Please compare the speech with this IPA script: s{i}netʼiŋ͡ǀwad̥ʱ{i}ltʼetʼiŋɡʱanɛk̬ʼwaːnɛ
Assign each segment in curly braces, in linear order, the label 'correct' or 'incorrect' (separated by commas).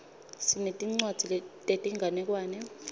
correct, correct